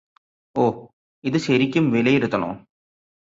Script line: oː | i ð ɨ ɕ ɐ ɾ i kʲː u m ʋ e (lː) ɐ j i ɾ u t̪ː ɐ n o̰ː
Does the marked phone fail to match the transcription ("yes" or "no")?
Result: yes